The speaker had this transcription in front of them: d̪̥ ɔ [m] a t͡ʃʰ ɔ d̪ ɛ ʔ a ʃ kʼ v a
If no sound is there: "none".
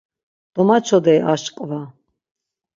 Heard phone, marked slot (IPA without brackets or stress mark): m